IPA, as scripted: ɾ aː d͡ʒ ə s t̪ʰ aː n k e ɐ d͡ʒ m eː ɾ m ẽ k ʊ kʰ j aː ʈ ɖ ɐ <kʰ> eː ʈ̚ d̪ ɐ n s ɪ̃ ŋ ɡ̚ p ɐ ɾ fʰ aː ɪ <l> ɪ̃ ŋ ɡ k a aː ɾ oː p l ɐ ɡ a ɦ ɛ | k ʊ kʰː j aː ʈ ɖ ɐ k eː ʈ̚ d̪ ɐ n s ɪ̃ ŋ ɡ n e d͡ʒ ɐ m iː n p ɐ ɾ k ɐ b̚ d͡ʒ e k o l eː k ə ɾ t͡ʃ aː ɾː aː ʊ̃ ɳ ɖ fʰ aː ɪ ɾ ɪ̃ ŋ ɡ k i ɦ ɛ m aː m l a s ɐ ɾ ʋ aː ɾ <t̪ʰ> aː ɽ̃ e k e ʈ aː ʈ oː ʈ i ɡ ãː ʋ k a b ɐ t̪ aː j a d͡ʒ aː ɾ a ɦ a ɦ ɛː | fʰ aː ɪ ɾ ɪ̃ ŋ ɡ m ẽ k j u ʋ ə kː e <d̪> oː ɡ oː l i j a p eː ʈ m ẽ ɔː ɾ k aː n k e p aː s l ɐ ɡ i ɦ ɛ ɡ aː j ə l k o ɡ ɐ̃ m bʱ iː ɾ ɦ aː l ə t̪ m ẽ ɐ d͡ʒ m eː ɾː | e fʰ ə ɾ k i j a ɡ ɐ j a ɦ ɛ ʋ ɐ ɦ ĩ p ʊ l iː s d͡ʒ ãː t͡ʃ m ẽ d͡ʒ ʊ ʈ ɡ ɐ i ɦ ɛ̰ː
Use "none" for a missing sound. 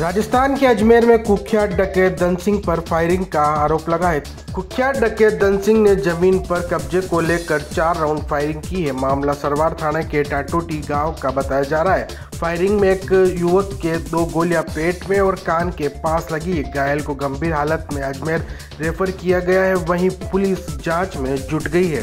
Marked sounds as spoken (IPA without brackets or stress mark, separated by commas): k, ɾ, t̪ʰ, d̪